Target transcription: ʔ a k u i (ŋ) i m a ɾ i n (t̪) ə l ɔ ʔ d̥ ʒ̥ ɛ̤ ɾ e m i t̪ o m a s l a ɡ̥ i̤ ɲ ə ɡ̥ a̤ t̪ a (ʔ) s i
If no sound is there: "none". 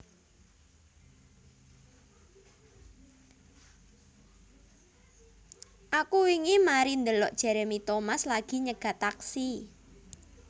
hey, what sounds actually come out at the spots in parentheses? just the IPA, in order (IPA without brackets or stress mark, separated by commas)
ŋ, d̪, k